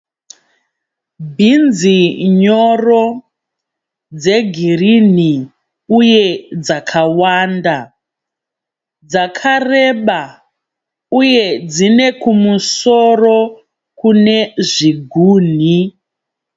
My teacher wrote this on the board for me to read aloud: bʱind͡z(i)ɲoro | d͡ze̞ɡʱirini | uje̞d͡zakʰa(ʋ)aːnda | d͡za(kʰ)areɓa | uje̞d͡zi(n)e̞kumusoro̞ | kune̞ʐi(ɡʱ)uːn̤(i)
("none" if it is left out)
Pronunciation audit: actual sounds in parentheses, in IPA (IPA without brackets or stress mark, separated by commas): i, w, kʰ, n, ɡʱ, i